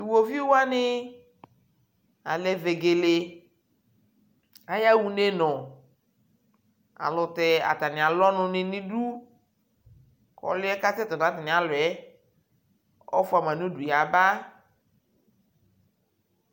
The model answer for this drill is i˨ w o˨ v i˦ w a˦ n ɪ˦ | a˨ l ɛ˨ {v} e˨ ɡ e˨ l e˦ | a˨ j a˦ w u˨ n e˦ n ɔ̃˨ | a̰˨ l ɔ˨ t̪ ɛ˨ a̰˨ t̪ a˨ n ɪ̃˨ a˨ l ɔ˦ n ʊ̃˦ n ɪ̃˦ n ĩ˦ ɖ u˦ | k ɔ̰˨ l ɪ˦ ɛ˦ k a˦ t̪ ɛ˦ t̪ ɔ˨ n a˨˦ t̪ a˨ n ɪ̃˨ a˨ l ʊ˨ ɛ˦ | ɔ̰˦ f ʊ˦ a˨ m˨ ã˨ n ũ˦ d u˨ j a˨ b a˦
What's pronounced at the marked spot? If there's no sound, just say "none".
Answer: v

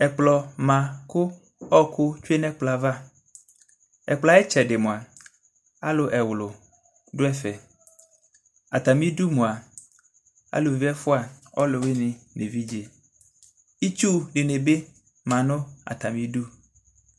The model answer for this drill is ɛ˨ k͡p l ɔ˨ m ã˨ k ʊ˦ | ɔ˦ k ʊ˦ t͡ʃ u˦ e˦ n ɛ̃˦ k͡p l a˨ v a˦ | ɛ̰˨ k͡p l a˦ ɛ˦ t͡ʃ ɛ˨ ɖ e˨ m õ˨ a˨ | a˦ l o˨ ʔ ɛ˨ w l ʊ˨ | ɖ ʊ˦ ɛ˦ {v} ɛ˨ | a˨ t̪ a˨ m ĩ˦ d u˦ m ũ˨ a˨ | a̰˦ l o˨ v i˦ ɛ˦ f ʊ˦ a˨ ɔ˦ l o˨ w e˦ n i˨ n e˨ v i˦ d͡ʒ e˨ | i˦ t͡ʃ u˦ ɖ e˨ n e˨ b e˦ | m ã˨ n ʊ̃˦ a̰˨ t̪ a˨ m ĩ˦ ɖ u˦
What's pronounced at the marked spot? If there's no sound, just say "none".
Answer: f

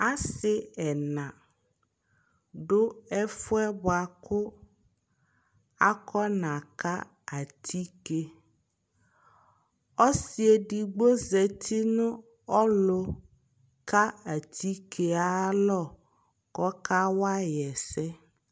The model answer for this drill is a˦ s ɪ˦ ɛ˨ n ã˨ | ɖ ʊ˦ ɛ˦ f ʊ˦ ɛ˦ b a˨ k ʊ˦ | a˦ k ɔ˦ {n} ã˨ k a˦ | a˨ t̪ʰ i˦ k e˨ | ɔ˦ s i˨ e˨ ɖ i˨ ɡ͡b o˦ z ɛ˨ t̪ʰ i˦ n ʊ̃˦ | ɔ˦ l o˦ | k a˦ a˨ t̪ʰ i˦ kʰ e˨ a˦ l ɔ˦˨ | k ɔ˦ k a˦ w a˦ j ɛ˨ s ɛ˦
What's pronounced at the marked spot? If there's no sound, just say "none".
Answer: n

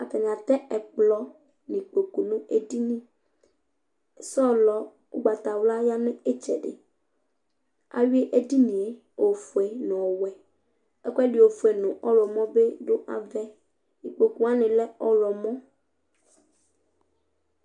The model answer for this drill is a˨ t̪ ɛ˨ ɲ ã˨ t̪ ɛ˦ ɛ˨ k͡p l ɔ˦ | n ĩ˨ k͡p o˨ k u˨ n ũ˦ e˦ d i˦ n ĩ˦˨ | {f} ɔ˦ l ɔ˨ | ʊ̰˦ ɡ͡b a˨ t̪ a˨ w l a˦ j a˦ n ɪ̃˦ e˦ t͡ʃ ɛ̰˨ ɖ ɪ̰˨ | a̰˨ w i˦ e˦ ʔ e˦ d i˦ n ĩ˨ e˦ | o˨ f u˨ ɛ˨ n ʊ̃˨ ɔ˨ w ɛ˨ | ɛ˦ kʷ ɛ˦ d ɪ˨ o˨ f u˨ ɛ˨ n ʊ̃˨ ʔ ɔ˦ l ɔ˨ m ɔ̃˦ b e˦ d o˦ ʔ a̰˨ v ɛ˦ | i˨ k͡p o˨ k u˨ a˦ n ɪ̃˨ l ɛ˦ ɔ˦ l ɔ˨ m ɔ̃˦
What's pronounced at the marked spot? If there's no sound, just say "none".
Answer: s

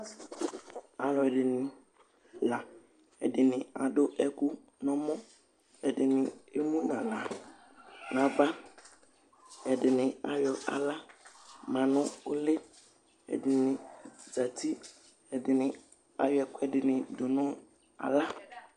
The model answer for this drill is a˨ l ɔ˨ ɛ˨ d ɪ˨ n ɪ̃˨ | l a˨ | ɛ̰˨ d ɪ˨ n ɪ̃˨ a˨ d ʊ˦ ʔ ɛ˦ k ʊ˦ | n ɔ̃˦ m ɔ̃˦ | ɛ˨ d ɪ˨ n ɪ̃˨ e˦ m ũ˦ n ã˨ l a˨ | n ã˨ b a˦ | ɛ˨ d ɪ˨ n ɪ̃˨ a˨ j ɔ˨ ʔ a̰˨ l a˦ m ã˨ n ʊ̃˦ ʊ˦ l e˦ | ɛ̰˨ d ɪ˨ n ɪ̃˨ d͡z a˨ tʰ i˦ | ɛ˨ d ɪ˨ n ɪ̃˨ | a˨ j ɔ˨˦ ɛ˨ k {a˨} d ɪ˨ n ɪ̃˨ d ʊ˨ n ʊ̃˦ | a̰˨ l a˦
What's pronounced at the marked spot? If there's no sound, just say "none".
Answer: ɛ˨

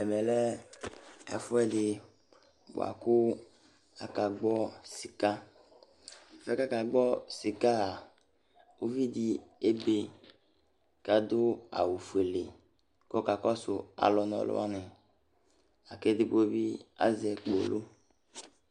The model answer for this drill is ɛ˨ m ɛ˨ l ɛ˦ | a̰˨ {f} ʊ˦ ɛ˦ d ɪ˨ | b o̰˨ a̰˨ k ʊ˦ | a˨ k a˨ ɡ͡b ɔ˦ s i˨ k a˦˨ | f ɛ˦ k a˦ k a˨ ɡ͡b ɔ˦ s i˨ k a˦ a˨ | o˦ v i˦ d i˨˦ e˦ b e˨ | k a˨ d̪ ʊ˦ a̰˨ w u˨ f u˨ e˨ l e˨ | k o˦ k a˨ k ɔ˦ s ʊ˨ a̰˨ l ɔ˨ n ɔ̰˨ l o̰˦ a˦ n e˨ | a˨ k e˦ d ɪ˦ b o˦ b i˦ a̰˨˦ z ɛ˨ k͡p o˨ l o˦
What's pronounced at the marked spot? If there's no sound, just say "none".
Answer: f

